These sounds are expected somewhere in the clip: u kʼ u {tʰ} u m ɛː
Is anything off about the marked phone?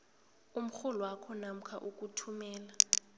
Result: no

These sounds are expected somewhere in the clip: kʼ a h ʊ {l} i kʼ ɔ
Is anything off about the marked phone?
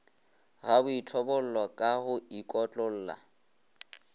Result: yes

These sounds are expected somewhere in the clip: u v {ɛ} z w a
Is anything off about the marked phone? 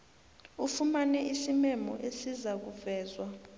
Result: yes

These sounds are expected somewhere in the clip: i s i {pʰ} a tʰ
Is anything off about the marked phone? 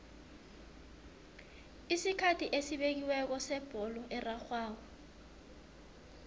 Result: yes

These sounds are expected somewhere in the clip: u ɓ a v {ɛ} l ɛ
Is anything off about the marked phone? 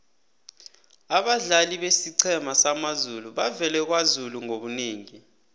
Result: no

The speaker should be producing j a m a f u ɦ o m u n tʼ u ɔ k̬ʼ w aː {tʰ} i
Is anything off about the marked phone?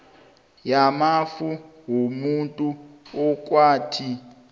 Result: no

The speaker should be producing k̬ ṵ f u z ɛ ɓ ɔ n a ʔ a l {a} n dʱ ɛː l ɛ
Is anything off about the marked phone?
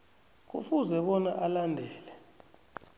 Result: no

